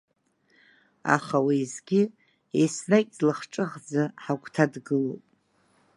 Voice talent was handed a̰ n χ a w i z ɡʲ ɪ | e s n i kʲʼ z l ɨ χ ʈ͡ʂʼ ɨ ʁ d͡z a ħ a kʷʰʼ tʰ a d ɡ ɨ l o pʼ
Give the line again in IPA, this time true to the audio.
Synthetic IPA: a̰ χ a w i z ɡʲ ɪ | e s n a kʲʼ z l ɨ χ ʈ͡ʂʼ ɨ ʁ d͡z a ħ a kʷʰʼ tʰ a d ɡ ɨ l o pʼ

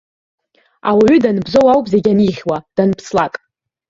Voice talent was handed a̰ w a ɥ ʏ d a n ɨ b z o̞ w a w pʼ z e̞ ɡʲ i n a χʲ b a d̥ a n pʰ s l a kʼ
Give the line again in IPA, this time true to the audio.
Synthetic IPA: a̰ w a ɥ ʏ d a n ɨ b z o̞ w a w pʼ z e̞ ɡʲ a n i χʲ w a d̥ a n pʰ s l a kʼ

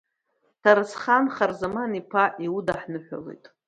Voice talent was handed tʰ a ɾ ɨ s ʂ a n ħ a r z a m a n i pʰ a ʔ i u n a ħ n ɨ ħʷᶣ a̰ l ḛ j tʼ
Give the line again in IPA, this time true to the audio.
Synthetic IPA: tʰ a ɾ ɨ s χ a n χ a r z a m a n i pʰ a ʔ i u d a ħ n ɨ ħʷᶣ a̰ l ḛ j tʼ

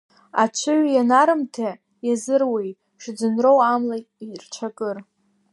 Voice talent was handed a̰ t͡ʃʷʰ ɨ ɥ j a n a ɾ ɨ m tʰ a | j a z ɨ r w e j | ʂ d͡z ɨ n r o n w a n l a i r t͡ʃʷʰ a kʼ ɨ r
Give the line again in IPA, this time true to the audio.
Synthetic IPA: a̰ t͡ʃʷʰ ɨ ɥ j a n a ɾ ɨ m tʰ a | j a z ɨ r w e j | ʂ d͡z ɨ n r o w a m l a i r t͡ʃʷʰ a kʼ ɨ r

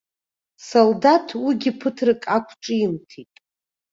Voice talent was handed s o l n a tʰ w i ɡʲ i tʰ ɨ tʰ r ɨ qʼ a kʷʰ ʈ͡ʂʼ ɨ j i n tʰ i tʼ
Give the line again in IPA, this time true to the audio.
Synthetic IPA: s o l d a tʰ w i ɡʲ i pʰ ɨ tʰ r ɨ kʼ a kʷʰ ʈ͡ʂʼ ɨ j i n tʰ i tʼ

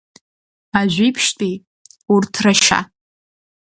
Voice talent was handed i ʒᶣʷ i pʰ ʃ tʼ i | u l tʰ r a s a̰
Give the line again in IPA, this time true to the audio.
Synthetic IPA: a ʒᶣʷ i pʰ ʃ tʼ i | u r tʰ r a ʃ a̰

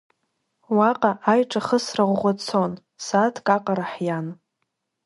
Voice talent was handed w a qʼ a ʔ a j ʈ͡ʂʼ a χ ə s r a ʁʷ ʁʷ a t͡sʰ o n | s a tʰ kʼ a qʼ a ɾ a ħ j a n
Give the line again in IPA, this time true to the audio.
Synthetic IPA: w a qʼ a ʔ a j ʈ͡ʂʼ a χ ə s r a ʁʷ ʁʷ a t͡sʰ o n | s a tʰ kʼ a qʼ a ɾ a ħ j a n

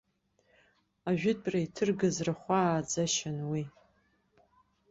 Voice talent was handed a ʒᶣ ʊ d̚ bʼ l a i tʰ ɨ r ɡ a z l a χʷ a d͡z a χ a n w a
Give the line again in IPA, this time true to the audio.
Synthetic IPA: a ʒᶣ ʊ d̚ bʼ r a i tʰ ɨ r ɡ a z r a χʷ a d͡z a ʃ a n w i

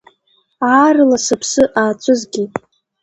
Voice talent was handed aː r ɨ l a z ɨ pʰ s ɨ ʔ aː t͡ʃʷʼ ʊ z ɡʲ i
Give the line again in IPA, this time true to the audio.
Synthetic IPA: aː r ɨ l a s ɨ pʰ s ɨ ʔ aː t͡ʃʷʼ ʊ z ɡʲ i

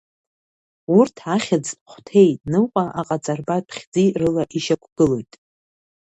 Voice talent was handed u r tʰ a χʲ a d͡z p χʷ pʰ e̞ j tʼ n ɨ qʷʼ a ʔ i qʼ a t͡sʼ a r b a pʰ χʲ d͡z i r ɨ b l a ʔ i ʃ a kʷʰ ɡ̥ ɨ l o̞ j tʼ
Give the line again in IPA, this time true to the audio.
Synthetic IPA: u r tʰ a χʲ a d͡z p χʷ tʰ e̞ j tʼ n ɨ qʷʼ a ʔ a qʼ a t͡sʼ a r b a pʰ χʲ d͡z i r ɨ l a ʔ i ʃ a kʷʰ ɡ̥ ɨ l o̞ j tʼ

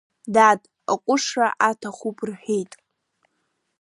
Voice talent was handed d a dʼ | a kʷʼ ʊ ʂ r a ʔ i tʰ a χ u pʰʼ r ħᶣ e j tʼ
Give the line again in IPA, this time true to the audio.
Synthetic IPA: d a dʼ | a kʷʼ ʊ ʂ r a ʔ a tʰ a χ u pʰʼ r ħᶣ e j tʼ

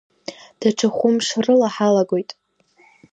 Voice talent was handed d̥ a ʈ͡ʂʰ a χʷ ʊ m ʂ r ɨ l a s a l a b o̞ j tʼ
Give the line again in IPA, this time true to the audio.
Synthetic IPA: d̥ a ʈ͡ʂʰ a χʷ ʊ m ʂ r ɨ l a ħ a l a ɡ o̞ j tʼ

